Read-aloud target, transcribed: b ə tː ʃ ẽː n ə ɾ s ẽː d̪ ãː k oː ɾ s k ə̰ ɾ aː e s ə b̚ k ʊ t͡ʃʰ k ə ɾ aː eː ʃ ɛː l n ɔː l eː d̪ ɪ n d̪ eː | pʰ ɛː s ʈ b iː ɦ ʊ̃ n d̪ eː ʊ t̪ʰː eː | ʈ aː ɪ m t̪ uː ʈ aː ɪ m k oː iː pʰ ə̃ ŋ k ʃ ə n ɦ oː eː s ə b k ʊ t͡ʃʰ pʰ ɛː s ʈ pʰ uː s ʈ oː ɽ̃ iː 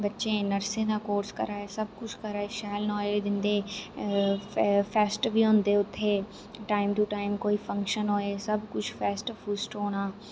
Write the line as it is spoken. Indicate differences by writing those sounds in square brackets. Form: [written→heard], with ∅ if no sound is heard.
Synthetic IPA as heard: b ə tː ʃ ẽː n ə ɾ s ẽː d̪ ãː k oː ɾ s k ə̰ ɾ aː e s ə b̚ k ʊ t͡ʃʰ k ə ɾ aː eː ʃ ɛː l n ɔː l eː d̪ ɪ n d̪ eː | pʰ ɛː s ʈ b iː ɦ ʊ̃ n d̪ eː ʊ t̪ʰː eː | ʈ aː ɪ m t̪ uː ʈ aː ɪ m k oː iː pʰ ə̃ ŋ k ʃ ə n ɦ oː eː s ə b k ʊ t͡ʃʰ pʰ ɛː s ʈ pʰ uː s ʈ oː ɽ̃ [iː→aː]